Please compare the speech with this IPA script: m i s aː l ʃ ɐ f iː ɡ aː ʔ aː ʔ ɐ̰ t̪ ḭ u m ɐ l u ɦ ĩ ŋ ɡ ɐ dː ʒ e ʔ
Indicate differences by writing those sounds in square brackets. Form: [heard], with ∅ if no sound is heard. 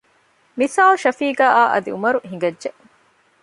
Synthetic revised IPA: m i s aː l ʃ ɐ f iː ɡ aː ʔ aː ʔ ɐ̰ [d̪] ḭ u m ɐ [ɾ] u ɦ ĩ ŋ ɡ ɐ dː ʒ e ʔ